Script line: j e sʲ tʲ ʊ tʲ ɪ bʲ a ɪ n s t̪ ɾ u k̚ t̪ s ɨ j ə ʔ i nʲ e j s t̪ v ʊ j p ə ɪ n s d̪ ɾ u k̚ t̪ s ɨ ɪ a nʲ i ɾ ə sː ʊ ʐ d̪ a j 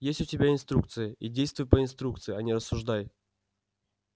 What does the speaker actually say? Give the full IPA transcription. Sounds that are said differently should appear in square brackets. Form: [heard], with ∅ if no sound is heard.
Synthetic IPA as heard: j e sʲ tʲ ʊ tʲ ɪ bʲ a ɪ n s t̪ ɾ u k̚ t̪ s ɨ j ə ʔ i [dʲ] e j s t̪ v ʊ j p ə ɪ n s [t̪] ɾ u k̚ t̪ s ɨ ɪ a nʲ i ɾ ə sː ʊ ʐ d̪ a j